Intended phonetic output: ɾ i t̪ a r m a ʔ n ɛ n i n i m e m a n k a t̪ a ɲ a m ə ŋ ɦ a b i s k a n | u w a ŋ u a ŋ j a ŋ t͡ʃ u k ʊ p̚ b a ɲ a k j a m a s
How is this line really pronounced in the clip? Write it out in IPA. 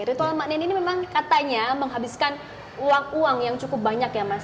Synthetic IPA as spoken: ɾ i t̪ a l m a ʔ n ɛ n i n i m e m a ŋ k a t̪ a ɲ a m ə ŋ ɦ a b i s k a n | u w a ŋ u a ŋ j a ŋ t͡ʃ u k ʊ p̚ b a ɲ a k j a m a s